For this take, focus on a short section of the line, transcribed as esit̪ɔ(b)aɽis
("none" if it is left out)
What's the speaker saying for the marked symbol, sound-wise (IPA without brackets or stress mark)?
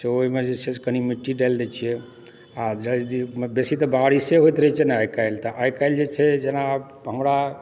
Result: b